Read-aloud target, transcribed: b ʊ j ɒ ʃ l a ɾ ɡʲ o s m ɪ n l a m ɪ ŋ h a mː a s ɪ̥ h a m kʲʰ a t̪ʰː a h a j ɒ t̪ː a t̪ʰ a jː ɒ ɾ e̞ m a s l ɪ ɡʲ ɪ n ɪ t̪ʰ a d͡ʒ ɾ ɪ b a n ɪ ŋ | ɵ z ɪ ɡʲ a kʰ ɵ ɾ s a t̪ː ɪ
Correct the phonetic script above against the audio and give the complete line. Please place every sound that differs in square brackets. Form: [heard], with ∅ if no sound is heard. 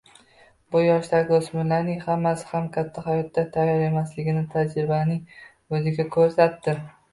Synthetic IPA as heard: b ʊ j ɒ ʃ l a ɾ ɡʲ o s m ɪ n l a [n] ɪ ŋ h a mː a s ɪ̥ h a m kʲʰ a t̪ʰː a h a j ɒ t̪ː a t̪ʰ a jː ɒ ɾ e̞ m a s l ɪ ɡʲ ɪ n ɪ t̪ʰ a d͡ʒ ɾ ɪ b a n ɪ ŋ | ɵ z ɪ ɡʲ a kʰ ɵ ɾ s a t̪ː ɪ